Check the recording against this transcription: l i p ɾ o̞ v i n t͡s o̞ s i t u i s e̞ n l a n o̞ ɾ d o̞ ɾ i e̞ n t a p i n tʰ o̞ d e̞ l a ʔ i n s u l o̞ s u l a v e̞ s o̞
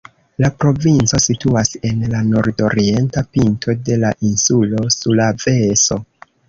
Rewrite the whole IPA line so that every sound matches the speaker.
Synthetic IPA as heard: l a p ɾ o̞ v i n t͡s o̞ s i t u a s e̞ n l a n o̞ ɾ d o̞ ɾ i e̞ n t a p i n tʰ o̞ d e̞ l a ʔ i n s u l o̞ s u l a v e̞ s o̞